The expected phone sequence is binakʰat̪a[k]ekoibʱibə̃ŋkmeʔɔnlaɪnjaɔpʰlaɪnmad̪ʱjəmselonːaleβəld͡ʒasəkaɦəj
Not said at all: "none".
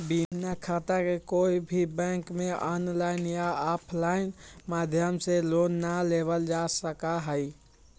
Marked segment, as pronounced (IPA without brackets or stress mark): k